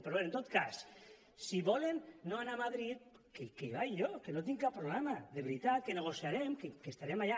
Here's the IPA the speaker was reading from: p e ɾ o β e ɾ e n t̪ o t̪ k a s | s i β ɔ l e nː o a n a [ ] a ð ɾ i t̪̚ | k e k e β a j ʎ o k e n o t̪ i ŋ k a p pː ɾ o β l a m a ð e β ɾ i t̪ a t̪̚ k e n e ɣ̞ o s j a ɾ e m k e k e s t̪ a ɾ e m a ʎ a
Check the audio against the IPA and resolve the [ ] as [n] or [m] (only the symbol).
m